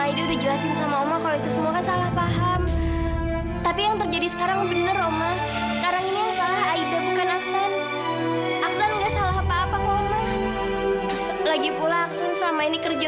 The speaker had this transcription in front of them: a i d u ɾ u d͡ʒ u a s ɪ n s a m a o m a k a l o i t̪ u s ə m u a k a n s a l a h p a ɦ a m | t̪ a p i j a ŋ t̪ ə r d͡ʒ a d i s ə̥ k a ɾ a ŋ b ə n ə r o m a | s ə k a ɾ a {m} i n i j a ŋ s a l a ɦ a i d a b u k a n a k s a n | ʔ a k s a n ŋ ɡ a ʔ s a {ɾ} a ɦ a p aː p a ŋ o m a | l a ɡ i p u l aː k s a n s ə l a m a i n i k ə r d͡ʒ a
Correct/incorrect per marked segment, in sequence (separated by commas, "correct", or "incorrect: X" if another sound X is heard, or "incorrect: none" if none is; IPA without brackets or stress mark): incorrect: ŋ, incorrect: l